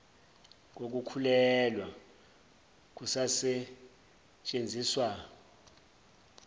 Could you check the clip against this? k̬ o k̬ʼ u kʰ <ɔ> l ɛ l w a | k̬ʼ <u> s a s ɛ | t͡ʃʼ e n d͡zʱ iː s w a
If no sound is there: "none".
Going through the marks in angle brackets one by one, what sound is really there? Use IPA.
u, u

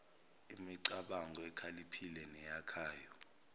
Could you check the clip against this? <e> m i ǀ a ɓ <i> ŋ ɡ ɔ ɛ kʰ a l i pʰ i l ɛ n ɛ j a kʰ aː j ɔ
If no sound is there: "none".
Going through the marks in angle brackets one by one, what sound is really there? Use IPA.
i, a

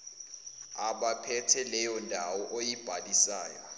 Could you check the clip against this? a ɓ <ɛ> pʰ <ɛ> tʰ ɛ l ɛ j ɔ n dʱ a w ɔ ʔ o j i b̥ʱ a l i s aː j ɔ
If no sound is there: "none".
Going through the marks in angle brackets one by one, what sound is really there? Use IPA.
a, ɛ

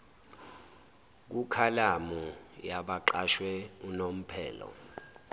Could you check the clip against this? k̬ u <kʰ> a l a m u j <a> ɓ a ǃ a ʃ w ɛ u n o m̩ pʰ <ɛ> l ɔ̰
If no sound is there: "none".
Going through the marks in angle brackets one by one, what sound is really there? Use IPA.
kʰ, a, ɛː

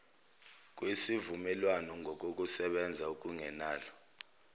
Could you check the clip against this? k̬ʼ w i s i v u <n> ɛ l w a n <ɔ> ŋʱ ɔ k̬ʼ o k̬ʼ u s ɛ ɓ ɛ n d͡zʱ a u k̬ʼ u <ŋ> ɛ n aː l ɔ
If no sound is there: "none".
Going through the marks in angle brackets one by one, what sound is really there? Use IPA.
m, ɔ, ŋ

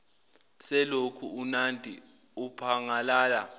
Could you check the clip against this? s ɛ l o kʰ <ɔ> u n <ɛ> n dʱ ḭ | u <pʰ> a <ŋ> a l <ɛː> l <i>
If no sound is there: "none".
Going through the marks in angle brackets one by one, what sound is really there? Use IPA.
u, a, pʰ, ŋ, aː, a

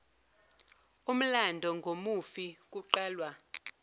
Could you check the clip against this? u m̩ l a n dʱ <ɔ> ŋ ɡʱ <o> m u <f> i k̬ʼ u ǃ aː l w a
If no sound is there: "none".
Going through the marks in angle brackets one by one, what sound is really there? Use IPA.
ɔ, o, f

